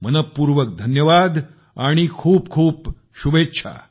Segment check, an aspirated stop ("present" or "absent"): present